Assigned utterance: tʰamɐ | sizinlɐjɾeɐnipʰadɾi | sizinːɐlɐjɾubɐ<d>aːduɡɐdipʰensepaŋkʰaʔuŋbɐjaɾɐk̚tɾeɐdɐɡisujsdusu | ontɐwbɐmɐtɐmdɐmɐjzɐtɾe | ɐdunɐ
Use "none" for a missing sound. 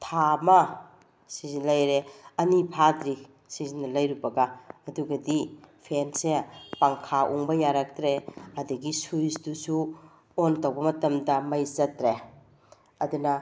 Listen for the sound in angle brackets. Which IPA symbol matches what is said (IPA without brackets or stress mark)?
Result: ɡ